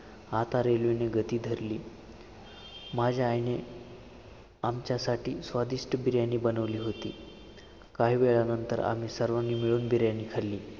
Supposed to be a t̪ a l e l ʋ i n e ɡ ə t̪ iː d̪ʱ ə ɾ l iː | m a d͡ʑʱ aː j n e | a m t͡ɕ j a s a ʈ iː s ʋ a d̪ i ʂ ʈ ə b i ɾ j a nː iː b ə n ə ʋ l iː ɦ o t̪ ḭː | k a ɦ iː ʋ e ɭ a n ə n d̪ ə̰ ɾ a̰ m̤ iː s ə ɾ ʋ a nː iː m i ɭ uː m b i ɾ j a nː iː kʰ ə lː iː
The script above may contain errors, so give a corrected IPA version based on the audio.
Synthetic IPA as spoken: a t̪ a ɾ e l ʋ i n e ɡ ə t̪ iː d̪ʱ ə ɾ l iː | m a d͡ʑʱ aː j n e | a m t͡ɕ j a s a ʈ iː s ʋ a d̪ i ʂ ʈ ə b i ɾ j a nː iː b ə n ə ʋ l iː ɦ o t̪ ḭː | k a ɦ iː ʋ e ɭ a n ə n t̪ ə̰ ɾ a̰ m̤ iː s ə ɾ ʋ a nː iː m i ɭ uː n b i ɾ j a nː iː kʰ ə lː iː